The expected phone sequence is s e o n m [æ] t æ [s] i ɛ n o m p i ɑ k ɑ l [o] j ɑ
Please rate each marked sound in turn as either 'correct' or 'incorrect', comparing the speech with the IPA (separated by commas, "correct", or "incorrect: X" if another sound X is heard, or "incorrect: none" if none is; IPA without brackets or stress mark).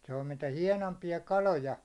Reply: incorrect: i, incorrect: h, correct